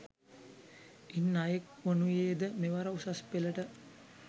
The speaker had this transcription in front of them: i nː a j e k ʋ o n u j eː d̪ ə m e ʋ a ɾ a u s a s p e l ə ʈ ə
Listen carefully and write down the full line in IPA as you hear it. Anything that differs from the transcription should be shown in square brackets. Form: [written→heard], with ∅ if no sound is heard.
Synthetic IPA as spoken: i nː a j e k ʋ o n u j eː d̪ ə m e ʋ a ɾ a u s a s p e l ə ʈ ə